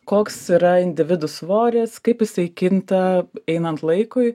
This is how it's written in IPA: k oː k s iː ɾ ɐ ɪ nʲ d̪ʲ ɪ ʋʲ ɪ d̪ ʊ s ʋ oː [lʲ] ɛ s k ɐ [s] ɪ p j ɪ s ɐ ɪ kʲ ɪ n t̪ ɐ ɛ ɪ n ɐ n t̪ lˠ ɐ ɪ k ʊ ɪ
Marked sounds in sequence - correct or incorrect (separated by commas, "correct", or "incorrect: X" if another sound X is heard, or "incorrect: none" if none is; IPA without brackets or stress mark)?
incorrect: ɾʲ, incorrect: none